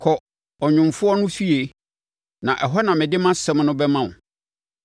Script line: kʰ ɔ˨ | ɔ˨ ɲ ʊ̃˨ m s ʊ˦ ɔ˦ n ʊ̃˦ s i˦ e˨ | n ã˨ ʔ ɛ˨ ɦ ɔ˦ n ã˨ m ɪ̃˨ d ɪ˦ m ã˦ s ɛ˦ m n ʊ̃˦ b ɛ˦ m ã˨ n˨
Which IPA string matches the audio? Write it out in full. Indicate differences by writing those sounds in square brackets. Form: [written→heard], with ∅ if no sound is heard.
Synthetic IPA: kʰ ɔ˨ | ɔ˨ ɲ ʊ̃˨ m [s→f] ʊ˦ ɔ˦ n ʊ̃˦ [s→f] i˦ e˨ | n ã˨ ʔ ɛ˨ ɦ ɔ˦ n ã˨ m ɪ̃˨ d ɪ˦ m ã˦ s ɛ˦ m n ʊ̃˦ b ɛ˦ m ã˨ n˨